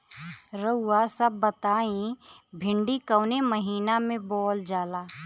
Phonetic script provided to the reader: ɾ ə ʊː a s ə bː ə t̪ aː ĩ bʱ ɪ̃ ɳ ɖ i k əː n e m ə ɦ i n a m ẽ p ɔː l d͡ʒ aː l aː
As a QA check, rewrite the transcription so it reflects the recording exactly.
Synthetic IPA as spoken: ɾ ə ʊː a s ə bː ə t̪ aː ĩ bʱ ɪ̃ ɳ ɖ i k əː n e m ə ɦ iː n a m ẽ b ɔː l d͡ʒ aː l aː